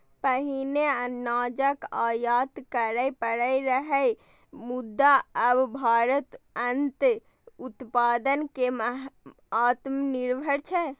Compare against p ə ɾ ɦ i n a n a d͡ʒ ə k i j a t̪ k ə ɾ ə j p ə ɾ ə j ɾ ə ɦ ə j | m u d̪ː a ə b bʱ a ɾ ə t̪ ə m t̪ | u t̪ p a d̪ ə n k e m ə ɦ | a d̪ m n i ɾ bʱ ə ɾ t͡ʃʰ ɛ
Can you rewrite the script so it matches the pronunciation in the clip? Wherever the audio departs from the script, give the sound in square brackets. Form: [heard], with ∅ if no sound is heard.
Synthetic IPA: p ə [∅] ɦ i n [e] n a d͡ʒ ə k [a] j a t̪ k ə ɾ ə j p ə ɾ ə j ɾ ə ɦ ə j | m u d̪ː a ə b bʱ a ɾ ə t̪ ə [n] t̪ | u t̪ p a d̪ ə n k e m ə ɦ | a [t̪] m n i ɾ bʱ ə ɾ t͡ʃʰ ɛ